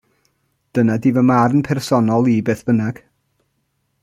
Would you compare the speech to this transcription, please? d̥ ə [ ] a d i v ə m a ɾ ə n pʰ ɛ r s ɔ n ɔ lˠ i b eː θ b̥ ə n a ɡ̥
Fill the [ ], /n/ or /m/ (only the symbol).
n